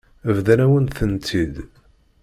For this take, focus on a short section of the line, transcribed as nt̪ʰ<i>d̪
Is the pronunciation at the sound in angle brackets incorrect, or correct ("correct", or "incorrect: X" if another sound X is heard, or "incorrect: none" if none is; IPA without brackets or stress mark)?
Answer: correct